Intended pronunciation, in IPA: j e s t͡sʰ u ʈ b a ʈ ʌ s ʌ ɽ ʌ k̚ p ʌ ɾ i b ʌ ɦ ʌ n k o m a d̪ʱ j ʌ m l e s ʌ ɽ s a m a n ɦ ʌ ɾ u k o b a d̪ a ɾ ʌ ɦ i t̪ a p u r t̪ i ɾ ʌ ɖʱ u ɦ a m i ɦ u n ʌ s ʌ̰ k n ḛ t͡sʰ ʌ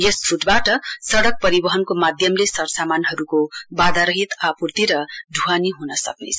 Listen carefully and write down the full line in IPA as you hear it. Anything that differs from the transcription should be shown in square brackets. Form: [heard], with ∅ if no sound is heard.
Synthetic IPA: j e s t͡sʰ u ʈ b a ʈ ʌ s ʌ ɽ ʌ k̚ p ʌ ɾ i b ʌ ɦ ʌ n k o m a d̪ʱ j ʌ m l e s ʌ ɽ s a m a n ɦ ʌ ɾ u k o b a d̪ a ɾ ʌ ɦ i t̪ a p u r t̪ i ɾ ʌ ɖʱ u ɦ a [n] i ɦ u n ʌ s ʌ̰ k n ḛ t͡sʰ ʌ